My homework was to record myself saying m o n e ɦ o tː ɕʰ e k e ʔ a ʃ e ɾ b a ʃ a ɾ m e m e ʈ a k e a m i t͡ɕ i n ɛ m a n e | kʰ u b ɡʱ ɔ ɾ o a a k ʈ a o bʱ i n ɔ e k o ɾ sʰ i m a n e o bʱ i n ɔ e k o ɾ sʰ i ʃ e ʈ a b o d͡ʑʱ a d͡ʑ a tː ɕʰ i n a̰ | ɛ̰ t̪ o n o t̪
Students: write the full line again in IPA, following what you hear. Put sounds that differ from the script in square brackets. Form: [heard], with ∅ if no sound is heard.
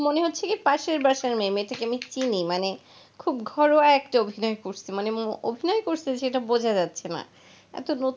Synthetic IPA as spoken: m o n e ɦ o tː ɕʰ e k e [p] a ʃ e ɾ b a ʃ a ɾ m e m e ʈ a k e a m i t͡ɕ i n [i] m a n e | kʰ u b ɡʱ ɔ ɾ o a [ɛ] k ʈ a o bʱ i n ɔ e k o ɾ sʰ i m a n e o bʱ i n ɔ e k o ɾ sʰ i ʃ e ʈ a b o d͡ʑʱ a d͡ʑ a tː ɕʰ [e] n a̰ | ɛ̰ t̪ o n o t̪